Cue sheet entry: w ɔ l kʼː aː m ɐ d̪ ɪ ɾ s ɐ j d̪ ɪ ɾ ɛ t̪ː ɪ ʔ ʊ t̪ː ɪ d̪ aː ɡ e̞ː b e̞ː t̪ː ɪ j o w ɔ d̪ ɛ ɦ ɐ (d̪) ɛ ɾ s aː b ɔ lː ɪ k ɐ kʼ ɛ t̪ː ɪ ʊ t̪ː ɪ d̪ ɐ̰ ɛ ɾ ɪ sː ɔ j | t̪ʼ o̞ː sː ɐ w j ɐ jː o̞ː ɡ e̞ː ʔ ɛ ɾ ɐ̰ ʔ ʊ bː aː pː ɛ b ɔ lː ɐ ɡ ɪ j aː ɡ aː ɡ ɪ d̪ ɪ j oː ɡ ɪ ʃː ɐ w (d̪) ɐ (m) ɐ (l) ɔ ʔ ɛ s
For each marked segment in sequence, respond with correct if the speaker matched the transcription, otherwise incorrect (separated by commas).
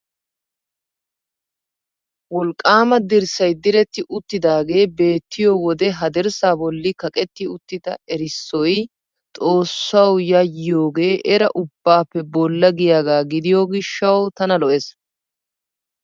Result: correct, incorrect, incorrect, correct